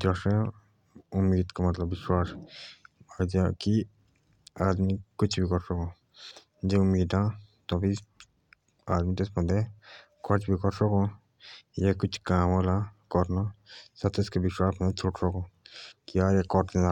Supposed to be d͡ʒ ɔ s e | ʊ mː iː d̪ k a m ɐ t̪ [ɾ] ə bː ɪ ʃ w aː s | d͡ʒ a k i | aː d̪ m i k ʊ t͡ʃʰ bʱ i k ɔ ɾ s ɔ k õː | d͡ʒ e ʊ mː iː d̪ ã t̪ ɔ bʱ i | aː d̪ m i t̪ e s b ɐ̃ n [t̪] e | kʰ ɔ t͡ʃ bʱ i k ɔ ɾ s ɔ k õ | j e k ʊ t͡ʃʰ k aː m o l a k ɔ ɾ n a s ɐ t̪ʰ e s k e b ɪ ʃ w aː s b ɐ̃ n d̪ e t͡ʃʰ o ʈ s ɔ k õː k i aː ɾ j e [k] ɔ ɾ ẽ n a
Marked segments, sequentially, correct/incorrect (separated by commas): incorrect, incorrect, correct